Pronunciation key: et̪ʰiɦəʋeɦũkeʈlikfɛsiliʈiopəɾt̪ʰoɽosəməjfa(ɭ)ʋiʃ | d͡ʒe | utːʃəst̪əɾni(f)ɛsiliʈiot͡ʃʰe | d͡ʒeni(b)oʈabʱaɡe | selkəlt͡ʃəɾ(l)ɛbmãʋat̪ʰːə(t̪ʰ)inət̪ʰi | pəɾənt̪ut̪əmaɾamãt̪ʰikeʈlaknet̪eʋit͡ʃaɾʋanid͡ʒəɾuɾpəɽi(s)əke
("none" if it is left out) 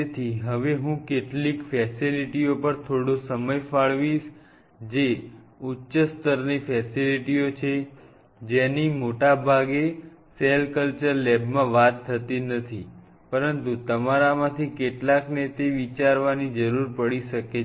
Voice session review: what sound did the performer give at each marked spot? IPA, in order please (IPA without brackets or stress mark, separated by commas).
ɭ, f, m, l, t̪, ʃ